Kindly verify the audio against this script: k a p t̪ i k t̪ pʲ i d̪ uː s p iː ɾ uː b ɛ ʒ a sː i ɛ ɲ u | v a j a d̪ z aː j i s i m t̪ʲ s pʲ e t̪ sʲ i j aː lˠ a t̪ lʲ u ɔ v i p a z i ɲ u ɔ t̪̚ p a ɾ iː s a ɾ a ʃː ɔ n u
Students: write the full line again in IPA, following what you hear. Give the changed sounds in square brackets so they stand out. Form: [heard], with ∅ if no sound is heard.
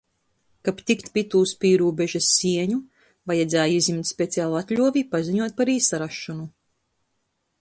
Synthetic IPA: k a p t̪ i k t̪ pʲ i [t̪] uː s p iː ɾ uː b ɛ ʒ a sː i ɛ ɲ u | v a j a d̪ z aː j i [z] i m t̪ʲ s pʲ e t̪ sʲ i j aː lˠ a t̪ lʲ u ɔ v i p a z i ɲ u ɔ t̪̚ p a ɾ iː s a ɾ a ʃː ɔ n u